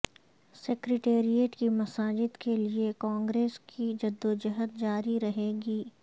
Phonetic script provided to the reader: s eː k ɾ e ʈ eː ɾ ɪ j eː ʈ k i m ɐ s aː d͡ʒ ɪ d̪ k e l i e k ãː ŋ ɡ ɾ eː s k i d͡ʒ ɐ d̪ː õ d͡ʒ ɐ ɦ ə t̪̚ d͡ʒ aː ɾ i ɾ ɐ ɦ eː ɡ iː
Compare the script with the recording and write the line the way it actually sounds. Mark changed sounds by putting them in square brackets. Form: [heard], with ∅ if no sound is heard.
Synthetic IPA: s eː k ɾ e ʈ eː ɾ [i] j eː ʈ k i m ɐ s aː d͡ʒ ɪ d̪ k e l i e k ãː ŋ ɡ ɾ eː s k i d͡ʒ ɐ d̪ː [o] d͡ʒ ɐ ɦ ə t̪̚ d͡ʒ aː ɾ i ɾ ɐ ɦ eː ɡ iː